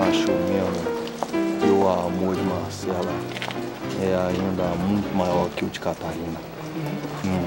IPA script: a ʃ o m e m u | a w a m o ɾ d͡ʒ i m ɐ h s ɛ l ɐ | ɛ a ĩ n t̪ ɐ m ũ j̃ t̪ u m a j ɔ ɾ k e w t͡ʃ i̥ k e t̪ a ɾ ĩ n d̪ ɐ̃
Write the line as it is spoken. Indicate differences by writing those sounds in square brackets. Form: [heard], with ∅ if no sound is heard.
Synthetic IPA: a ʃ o m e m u | [e] w a m o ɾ d͡ʒ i m [a] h s ɛ l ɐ | ɛ a ĩ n [d̪] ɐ m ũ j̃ t̪ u m a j ɔ ɾ k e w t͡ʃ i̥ k [a] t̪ a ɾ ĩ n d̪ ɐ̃